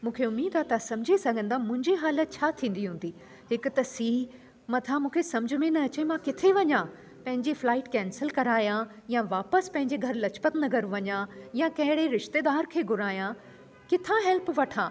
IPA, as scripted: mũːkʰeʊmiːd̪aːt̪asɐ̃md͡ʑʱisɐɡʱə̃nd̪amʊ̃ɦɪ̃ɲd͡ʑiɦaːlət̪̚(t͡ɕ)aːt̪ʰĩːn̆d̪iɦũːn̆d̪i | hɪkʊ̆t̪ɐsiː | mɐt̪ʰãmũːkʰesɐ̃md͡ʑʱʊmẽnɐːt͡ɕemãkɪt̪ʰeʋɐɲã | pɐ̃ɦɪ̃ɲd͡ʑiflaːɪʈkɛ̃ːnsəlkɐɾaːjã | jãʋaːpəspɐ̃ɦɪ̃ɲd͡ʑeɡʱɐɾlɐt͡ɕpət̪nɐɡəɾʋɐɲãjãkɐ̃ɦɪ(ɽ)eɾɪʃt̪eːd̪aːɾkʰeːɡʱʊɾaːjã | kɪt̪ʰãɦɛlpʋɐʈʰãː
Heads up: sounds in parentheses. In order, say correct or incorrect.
incorrect: t͡ɕʰ, correct

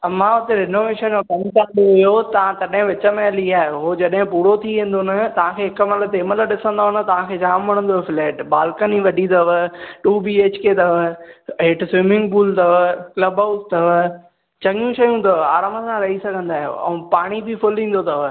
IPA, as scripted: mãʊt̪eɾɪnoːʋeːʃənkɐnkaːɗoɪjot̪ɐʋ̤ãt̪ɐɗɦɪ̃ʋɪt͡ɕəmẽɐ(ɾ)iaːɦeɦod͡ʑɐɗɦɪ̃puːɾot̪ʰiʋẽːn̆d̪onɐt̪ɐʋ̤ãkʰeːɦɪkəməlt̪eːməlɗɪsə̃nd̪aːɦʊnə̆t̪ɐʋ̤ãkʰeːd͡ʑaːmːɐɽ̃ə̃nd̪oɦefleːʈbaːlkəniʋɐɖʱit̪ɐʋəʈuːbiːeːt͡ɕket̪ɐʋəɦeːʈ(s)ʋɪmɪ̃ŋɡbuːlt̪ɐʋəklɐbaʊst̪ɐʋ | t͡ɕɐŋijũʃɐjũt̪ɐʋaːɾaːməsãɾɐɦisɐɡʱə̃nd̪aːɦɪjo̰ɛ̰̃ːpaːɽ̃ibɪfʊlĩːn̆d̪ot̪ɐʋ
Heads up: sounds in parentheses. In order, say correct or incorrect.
incorrect: l, correct

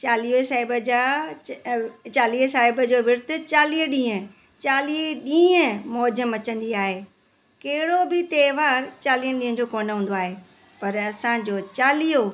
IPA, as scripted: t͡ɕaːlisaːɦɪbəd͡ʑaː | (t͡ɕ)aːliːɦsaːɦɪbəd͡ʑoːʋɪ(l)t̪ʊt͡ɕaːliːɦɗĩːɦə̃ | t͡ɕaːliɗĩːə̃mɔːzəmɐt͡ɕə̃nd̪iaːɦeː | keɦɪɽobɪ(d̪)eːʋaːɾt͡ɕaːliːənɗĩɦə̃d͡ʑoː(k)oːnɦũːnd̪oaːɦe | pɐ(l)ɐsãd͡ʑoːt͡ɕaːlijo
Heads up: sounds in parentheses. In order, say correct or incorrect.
correct, incorrect: ɾ, incorrect: t̪, correct, incorrect: ɾ

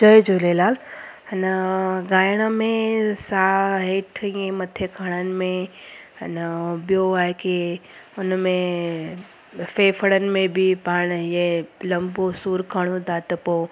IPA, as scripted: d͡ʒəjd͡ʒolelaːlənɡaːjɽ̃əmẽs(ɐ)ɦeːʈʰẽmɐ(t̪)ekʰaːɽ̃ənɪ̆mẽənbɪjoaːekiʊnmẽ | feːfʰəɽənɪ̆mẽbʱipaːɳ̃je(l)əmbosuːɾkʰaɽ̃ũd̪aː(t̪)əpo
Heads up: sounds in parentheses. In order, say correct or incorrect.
incorrect: a, incorrect: t̪ʰ, correct, correct

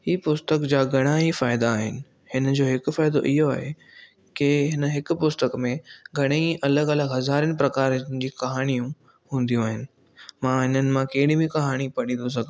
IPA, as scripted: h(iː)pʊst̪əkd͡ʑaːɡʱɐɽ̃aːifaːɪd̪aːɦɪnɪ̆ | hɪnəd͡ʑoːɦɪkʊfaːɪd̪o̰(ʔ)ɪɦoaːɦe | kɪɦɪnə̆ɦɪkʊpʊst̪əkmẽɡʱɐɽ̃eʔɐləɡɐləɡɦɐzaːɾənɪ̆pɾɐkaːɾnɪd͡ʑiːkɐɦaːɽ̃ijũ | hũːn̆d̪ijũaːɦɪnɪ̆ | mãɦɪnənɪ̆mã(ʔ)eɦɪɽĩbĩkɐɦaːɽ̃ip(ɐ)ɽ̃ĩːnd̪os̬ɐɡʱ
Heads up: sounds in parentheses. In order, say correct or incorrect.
correct, correct, incorrect: k, correct

